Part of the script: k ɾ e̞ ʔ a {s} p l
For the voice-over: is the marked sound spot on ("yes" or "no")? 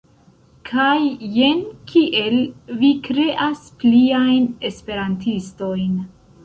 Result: yes